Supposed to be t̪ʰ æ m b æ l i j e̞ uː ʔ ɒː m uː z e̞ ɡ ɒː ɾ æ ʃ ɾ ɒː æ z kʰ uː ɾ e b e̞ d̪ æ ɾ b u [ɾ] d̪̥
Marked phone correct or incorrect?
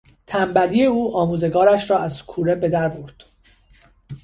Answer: correct